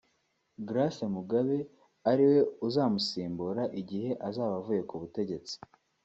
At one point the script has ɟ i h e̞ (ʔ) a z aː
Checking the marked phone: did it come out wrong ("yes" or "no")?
no